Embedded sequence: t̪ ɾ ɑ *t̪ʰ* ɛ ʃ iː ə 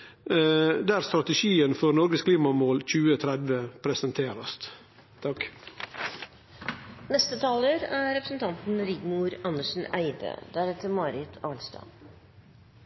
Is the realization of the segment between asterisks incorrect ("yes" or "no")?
yes